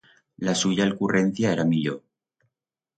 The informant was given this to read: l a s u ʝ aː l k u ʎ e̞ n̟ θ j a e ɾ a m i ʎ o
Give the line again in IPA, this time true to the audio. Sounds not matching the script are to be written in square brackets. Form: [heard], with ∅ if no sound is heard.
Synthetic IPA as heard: l a s u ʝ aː l k u [r] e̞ n̟ θ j a e ɾ a m i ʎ o